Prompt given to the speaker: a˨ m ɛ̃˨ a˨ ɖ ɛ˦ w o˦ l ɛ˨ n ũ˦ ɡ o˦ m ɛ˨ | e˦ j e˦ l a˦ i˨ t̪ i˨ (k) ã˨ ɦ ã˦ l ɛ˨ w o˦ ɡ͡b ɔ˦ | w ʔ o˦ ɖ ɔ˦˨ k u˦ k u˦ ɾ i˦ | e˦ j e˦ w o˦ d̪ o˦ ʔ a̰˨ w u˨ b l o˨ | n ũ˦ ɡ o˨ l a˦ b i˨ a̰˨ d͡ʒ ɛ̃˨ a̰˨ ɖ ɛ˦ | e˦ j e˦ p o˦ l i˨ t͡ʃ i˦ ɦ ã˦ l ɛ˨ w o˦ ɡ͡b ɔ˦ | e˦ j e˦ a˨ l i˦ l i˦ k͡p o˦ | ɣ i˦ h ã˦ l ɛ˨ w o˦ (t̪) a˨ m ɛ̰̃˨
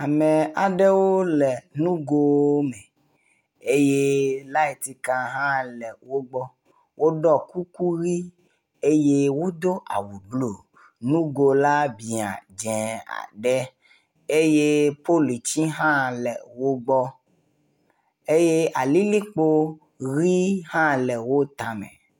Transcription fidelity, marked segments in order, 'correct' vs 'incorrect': correct, correct

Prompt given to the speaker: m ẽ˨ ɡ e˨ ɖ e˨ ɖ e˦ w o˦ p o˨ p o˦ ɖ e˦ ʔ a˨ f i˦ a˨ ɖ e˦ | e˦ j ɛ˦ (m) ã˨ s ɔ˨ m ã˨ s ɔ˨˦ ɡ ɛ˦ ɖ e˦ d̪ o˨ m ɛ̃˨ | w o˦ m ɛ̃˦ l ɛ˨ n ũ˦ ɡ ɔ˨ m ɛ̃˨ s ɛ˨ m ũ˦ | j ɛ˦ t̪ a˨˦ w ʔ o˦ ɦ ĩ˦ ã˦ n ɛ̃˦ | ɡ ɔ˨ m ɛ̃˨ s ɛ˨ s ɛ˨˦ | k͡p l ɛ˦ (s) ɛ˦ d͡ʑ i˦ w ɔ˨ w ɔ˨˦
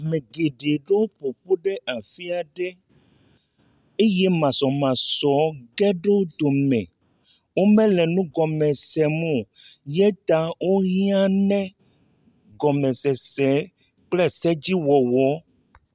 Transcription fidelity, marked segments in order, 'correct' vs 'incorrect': correct, correct

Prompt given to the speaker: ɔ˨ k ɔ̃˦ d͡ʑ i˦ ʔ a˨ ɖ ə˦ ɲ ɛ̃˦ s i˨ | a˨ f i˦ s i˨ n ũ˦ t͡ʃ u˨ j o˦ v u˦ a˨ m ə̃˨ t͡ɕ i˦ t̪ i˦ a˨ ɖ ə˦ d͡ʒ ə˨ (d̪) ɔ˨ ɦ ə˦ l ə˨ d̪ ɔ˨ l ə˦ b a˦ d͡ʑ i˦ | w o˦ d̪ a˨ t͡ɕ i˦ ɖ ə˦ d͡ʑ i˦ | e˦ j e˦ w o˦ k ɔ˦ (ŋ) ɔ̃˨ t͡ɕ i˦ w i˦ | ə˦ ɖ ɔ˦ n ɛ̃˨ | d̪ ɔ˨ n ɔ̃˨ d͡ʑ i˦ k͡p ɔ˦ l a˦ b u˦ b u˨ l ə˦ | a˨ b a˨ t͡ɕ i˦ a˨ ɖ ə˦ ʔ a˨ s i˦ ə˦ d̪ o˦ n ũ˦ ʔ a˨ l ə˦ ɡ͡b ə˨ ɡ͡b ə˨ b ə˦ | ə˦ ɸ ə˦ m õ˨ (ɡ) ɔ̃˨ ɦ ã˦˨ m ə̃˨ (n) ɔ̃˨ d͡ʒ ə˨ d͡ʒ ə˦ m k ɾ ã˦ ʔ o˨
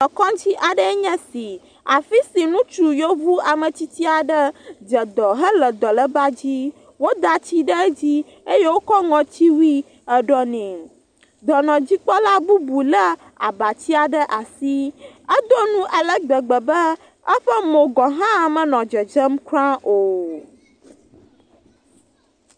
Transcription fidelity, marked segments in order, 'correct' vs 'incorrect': correct, correct, correct, correct

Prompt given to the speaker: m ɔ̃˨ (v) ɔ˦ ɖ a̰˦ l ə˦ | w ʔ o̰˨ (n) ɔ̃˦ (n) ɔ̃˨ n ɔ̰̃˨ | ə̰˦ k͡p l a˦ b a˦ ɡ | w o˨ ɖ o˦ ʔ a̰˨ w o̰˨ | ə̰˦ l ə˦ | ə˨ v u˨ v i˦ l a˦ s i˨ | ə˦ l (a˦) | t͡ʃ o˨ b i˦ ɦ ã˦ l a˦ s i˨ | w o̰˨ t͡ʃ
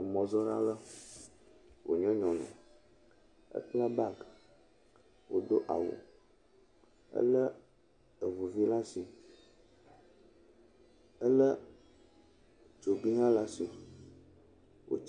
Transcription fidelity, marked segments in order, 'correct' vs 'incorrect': incorrect: z, incorrect: ɲ, incorrect: ɲ, incorrect: ə˦

